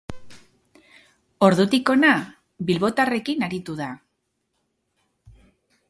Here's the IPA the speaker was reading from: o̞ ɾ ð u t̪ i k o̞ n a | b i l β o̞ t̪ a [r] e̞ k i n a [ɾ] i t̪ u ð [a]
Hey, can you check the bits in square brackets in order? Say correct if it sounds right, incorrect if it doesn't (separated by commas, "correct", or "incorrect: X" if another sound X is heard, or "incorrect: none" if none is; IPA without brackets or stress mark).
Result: correct, correct, correct